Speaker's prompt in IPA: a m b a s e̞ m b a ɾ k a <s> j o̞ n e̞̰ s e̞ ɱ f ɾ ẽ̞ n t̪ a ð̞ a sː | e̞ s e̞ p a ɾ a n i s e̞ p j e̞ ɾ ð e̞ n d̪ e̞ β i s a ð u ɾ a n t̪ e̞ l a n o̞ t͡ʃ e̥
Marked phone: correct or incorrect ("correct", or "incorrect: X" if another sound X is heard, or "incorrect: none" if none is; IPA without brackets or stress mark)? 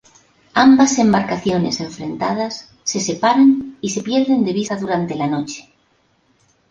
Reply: incorrect: θ